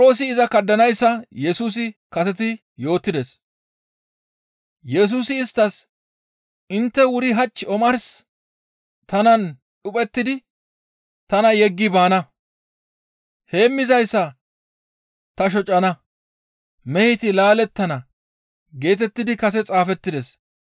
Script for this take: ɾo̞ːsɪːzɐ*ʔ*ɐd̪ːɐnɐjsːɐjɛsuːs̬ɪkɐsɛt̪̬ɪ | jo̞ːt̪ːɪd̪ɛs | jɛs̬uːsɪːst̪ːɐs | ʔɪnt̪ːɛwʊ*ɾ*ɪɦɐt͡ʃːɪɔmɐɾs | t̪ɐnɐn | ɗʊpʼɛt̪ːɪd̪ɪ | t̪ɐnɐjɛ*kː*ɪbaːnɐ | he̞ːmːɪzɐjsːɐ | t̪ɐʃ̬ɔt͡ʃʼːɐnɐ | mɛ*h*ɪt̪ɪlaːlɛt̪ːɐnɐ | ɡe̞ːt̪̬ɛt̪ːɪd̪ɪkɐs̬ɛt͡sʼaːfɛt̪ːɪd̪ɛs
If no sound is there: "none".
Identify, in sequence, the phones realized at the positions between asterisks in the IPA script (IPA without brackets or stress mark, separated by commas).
k, ɾ, ɡː, h